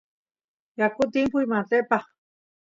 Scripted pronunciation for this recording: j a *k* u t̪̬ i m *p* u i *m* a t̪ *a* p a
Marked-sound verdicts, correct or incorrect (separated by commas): correct, correct, correct, incorrect